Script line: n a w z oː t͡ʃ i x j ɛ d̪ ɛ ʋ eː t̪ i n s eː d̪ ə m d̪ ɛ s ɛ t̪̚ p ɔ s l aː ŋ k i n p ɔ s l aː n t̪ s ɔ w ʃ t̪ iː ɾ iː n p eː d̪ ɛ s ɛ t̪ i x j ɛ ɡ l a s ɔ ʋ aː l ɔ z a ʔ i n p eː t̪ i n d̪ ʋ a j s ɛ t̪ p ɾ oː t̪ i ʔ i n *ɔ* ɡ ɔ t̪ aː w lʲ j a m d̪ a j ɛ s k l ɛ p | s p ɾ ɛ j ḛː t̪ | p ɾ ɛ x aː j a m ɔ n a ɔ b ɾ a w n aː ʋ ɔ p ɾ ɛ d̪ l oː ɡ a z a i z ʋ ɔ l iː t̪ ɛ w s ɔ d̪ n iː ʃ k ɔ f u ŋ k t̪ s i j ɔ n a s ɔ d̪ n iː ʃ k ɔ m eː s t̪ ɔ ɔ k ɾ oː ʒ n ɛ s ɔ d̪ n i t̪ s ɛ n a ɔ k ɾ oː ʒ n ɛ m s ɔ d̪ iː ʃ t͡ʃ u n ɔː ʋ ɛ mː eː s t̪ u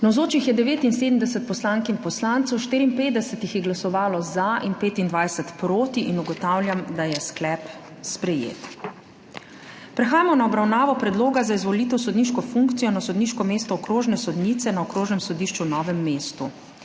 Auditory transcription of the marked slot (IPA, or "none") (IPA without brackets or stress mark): u